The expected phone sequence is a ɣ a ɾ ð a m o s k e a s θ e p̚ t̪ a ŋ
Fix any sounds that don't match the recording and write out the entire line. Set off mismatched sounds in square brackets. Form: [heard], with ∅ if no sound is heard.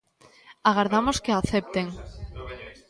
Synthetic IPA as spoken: a ɣ a ɾ ð a m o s k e a [∅] θ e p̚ t̪ [e] ŋ